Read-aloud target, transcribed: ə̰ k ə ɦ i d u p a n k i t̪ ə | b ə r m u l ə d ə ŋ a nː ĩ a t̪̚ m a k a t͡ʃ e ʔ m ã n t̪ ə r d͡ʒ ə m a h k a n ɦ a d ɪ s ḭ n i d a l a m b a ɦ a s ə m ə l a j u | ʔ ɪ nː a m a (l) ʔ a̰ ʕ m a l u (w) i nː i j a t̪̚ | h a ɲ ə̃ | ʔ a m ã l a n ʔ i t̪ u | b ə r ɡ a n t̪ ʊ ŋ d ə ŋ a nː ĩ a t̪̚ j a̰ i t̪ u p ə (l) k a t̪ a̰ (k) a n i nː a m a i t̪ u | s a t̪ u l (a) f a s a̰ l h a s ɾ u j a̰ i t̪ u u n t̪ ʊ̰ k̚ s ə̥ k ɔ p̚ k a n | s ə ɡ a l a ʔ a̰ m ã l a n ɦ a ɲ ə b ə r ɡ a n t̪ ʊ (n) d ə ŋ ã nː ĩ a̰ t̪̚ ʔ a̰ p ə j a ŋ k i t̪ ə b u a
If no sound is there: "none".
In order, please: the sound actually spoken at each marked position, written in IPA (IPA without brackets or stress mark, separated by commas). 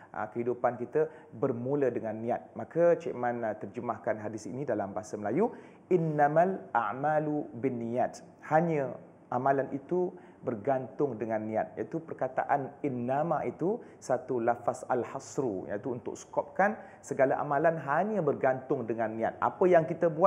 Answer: l, b, r, ʔ, a, ŋ